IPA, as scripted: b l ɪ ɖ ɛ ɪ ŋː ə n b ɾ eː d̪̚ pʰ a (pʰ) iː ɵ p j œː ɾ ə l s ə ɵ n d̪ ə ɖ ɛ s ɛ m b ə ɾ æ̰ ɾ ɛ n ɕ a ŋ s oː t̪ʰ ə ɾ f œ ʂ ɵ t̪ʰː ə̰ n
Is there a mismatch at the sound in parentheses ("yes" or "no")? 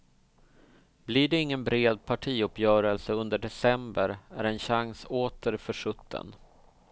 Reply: yes